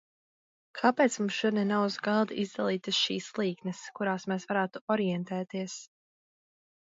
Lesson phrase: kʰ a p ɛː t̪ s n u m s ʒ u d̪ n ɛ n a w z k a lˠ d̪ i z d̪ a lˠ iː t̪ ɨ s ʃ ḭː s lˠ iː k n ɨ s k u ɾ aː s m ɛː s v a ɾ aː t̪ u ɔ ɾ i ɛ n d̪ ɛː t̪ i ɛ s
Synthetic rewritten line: kʰ a p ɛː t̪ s m u m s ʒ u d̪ n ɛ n a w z ɡ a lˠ d̪ i z d̪ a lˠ iː t̪ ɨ s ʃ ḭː s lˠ iː k n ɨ s k u ɾ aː s m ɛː s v a ɾ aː t̪ u ɔ ɾ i ɛ n t̪ ɛː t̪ i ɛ s